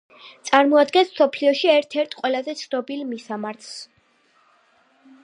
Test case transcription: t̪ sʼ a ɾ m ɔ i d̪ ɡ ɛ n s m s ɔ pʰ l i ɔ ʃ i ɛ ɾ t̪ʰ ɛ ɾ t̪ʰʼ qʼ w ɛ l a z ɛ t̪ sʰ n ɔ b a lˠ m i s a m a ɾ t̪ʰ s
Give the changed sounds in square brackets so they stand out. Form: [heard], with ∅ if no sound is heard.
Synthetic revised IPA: t̪ sʼ a ɾ m ɔ [a] d̪ ɡ ɛ n s m s ɔ pʰ l i ɔ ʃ i ɛ ɾ t̪ʰ ɛ ɾ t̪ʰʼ qʼ w ɛ l a z ɛ t̪ sʰ n ɔ b [i] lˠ m i s a m a ɾ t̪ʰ s